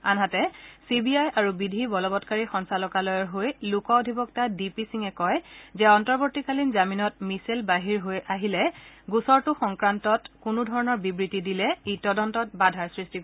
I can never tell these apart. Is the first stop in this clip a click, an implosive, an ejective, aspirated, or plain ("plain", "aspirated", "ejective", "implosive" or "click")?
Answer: plain